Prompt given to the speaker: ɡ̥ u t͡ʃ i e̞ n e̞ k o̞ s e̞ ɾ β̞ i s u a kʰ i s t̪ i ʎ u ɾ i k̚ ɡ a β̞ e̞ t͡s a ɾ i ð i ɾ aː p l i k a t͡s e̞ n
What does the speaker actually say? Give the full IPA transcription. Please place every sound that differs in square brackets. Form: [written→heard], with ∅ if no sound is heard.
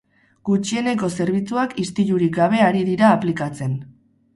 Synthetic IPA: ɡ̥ u t͡ʃ i e̞ n e̞ k o̞ s e̞ ɾ β̞ i [s→t͡s] u a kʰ i s t̪ i ʎ u ɾ i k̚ ɡ a β̞ e̞ [t͡s→∅] a ɾ i ð i ɾ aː p l i k a t͡s e̞ n